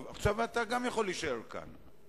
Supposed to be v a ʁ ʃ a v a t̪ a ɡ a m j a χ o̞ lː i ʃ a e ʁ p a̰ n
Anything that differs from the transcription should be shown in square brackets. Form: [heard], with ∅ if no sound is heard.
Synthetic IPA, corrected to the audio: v a [χ] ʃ a v a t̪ a ɡ a m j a χ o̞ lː i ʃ a e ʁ [k] a̰ n